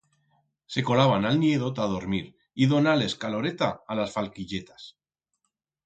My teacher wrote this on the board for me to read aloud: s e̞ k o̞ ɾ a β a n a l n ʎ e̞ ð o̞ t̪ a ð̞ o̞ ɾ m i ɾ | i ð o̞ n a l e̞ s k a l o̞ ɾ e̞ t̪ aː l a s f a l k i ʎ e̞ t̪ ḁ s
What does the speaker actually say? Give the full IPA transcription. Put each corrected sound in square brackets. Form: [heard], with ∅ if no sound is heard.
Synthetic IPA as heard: s e̞ k o̞ [l] a β a n a l n [j] e̞ ð o̞ t̪ a ð̞ o̞ ɾ m i ɾ | i ð o̞ n a l e̞ s k a l o̞ ɾ e̞ t̪ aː l a s f a l k i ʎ e̞ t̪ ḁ s